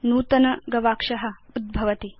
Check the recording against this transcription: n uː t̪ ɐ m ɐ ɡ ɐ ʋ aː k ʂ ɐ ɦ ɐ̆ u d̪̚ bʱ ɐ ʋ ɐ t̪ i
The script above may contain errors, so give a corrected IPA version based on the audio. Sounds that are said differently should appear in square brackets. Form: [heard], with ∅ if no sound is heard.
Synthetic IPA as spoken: n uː t̪ ɐ [n] ɐ ɡ ɐ ʋ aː k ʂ ɐ ɦ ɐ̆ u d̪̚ bʱ ɐ ʋ ɐ t̪ i